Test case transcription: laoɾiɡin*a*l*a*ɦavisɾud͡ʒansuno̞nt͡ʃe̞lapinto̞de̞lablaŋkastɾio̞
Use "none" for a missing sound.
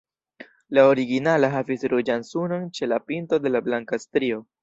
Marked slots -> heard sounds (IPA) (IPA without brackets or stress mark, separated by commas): a, a